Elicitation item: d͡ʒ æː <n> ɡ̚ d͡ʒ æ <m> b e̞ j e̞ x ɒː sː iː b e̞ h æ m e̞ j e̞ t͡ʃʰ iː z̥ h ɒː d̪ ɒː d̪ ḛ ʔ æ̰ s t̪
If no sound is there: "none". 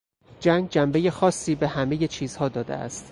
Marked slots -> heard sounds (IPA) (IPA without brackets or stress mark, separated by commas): ŋ, m